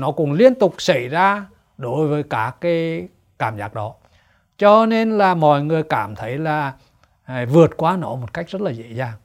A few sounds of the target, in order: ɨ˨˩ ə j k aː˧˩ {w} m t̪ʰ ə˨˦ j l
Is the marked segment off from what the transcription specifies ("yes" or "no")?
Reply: yes